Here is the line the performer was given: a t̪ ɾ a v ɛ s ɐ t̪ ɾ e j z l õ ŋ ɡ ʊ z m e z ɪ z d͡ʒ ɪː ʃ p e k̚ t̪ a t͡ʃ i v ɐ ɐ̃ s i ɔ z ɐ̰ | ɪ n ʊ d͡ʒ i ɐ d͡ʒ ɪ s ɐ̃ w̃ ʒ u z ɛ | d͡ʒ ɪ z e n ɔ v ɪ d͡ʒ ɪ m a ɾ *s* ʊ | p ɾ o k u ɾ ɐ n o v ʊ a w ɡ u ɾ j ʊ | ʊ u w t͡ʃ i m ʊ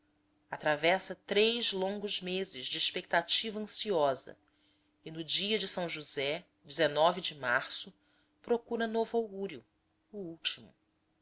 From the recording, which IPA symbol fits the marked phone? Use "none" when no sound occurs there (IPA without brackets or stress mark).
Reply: s